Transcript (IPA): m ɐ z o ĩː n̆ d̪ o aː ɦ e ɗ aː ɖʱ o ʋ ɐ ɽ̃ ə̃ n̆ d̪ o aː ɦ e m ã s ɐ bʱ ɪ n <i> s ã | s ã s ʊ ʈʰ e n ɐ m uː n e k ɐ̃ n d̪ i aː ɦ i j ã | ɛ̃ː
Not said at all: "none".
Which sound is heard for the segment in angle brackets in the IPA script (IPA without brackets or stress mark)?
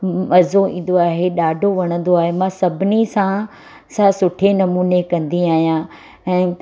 i